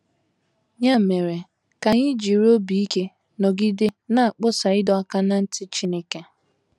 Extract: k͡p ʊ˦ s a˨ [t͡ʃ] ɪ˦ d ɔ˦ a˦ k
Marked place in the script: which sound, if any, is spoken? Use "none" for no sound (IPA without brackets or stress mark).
none